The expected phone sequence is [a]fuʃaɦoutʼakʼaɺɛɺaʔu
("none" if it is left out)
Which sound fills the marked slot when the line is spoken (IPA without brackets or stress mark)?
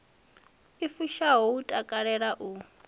i